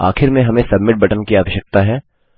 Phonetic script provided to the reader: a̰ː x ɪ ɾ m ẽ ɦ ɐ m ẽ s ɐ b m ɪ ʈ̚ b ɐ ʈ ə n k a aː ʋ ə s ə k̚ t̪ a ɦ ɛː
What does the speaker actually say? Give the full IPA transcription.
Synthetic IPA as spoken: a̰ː x ɪ ɾ m ẽ ɦ ɐ m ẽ s ɐ b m ɪ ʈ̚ b ɐ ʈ ə n k i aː ʋ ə ʃ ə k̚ t̪ a ɦ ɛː

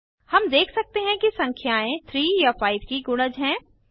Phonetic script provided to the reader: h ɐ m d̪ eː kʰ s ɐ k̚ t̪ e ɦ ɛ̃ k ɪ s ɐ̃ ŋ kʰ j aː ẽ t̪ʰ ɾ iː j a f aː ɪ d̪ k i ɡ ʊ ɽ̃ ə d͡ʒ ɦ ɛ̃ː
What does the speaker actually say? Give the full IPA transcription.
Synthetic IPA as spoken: h ɐ m d̪ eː kʰ s ɐ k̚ t̪ e ɦ ɛ̃ k i s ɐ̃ ŋ kʰ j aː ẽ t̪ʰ ɾ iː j a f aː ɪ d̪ k i ɡ ʊ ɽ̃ ə d͡ʒ ɦ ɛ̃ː

